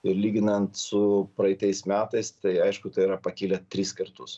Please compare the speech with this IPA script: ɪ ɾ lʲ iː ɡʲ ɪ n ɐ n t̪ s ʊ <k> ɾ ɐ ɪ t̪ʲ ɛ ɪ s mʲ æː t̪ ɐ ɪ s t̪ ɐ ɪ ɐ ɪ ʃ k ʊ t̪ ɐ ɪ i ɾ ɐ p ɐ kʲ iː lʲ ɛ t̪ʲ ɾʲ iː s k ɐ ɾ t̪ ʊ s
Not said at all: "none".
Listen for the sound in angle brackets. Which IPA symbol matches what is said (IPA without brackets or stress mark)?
p